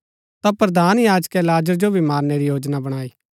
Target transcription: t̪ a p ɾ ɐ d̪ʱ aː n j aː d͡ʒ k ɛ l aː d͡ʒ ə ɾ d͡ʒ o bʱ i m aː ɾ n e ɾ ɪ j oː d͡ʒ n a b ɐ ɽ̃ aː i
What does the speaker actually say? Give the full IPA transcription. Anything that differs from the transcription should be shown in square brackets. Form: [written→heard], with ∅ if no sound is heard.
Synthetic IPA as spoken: t̪ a p ɾ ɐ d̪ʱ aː n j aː d͡ʒ k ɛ l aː d͡ʒ ə ɾ d͡ʒ o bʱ i m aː ɾ n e ɾ [ɪ→i] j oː d͡ʒ n a b ɐ ɽ̃ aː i

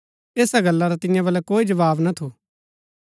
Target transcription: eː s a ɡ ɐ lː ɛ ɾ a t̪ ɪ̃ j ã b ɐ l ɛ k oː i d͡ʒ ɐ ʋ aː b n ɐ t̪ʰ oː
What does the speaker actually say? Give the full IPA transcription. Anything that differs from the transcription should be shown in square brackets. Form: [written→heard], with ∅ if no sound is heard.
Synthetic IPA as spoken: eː s a ɡ ɐ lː [ɛ→a] ɾ a t̪ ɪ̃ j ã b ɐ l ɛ k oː i d͡ʒ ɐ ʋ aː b n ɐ t̪ʰ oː

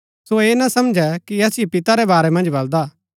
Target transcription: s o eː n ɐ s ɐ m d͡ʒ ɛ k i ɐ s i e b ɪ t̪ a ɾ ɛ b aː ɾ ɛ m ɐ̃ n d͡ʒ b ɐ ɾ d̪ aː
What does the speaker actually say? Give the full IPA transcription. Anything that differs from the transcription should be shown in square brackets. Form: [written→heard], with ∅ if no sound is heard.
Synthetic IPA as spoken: s o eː n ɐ s ɐ m d͡ʒ ɛ k i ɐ s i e [b→p] ɪ t̪ a ɾ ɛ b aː ɾ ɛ m ɐ̃ n d͡ʒ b ɐ [ɾ→l] d̪ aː

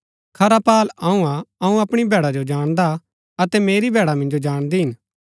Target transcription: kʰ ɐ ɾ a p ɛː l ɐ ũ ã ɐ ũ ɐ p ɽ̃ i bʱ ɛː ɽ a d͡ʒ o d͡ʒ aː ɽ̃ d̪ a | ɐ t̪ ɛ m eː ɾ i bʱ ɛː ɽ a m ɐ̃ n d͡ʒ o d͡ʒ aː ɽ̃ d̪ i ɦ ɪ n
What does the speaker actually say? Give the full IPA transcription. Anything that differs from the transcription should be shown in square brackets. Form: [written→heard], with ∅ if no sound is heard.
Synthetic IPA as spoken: kʰ ɐ ɾ a p [ɛː→aː] l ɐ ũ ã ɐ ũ ɐ p ɽ̃ i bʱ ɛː ɽ a d͡ʒ o d͡ʒ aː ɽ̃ d̪ a | ɐ t̪ ɛ m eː ɾ i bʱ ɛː ɽ a m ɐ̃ n d͡ʒ o d͡ʒ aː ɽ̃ d̪ i ɦ ɪ n

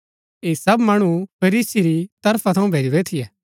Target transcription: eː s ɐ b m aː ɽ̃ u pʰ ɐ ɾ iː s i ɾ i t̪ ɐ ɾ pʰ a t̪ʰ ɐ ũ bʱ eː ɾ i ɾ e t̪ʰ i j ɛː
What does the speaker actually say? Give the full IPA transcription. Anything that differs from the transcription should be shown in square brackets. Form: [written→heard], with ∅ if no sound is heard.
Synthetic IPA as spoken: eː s ɐ b m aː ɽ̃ u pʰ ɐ ɾ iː s i ɾ i t̪ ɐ ɾ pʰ a t̪ʰ ɐ ũ bʱ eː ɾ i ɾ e t̪ʰ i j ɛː

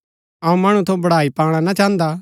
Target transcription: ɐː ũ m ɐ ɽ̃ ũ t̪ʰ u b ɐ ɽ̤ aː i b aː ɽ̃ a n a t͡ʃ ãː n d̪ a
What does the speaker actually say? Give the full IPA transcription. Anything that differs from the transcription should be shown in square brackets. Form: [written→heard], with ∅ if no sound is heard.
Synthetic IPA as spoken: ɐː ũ m ɐ ɽ̃ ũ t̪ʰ [u→o] b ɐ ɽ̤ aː i [b→p] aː ɽ̃ a n a t͡ʃ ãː n d̪ a

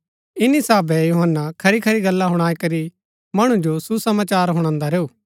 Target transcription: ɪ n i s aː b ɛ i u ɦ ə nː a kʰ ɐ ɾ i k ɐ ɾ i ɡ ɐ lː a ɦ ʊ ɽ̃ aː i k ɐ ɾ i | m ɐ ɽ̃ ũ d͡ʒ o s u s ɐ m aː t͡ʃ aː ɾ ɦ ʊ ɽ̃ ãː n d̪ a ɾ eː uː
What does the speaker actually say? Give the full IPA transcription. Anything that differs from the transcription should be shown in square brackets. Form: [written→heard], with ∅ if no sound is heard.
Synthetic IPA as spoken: ɪ n i s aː b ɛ [i→j] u ɦ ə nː a kʰ ɐ ɾ i [k→kʰ] ɐ ɾ i ɡ ɐ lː a ɦ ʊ ɽ̃ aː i k ɐ ɾ i | m ɐ ɽ̃ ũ d͡ʒ o s u s ɐ m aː t͡ʃ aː ɾ ɦ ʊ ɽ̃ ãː n d̪ a ɾ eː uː

